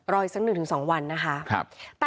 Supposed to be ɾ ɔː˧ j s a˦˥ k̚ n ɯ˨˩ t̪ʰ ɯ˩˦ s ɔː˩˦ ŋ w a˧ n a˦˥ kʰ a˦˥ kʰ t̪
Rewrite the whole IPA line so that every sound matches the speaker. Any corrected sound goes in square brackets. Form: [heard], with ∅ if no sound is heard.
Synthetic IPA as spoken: ɾ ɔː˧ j s a˦˥ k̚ n ɯ˨˩ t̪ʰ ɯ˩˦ s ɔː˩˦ ŋ w a˧ [nː] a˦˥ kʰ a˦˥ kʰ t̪

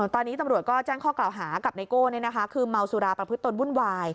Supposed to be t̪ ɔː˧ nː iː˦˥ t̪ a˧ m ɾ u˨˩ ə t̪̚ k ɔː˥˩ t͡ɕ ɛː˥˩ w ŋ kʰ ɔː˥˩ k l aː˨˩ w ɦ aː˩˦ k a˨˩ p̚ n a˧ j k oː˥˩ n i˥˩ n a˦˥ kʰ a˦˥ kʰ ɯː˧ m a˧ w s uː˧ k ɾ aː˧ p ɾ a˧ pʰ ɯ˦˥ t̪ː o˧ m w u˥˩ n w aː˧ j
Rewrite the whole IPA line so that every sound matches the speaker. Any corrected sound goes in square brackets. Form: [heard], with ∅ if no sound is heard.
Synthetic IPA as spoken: t̪ ɔː˧ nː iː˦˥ t̪ a˧ m ɾ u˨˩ ə t̪̚ k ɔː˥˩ t͡ɕ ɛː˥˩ [∅] ŋ kʰ ɔː˥˩ k l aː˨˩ w ɦ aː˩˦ k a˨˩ p̚ n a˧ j k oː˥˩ n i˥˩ n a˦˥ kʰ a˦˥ kʰ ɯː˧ m a˧ w s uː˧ [∅] ɾ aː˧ p ɾ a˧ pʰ ɯ˦˥ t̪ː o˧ [n] w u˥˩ n w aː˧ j

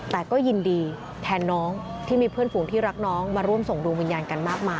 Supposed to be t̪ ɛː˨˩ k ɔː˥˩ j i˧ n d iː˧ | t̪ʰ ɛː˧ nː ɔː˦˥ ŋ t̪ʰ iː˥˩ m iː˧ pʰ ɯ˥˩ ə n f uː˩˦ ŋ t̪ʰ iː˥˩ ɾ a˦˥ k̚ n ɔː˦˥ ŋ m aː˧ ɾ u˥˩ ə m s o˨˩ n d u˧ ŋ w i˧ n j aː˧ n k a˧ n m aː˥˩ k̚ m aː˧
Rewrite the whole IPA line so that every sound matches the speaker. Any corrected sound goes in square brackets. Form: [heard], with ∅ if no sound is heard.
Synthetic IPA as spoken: t̪ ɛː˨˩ k ɔː˥˩ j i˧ n d iː˧ | t̪ʰ ɛː˧ nː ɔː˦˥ ŋ t̪ʰ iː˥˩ m iː˧ pʰ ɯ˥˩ ə n f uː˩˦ ŋ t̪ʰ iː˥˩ ɾ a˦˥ k̚ n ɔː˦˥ ŋ m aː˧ ɾ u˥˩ ə m s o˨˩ [ŋ] d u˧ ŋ w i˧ n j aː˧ n k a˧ n m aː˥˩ k̚ m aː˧

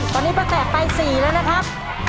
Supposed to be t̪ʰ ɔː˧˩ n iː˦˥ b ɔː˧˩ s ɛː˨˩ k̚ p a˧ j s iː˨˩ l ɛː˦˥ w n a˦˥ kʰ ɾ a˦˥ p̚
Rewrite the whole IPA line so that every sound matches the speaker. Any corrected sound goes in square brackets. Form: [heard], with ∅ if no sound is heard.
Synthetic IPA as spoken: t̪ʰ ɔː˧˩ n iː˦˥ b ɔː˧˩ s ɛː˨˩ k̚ p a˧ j s iː˨˩ l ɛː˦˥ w n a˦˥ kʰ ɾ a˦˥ p̚

